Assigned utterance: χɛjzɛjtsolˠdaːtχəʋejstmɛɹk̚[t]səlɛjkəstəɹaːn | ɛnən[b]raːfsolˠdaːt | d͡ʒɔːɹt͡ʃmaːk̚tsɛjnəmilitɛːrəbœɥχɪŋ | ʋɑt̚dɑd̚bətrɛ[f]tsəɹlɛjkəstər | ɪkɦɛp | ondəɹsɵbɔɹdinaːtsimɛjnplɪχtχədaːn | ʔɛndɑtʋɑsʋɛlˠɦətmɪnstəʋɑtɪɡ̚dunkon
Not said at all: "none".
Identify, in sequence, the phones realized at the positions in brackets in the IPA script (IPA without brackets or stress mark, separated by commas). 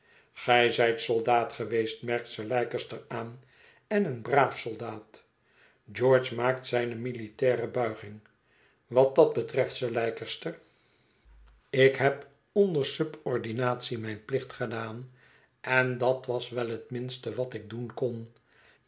t, b, f